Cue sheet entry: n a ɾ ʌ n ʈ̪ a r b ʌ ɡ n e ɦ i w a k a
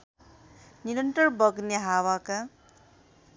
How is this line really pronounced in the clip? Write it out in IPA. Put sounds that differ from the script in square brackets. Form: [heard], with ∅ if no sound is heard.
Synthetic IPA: n [i] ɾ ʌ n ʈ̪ [ʌ] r b ʌ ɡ n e ɦ [a] w a k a